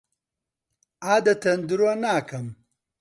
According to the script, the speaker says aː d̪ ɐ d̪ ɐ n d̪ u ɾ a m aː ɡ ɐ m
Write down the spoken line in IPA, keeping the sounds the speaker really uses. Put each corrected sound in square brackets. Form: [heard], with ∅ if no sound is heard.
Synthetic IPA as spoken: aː d̪ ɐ [t̪] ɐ n d̪ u ɾ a [n] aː [k] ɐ m